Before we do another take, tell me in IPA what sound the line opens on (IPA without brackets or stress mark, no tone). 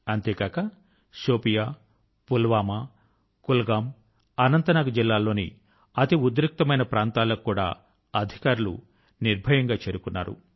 ɐ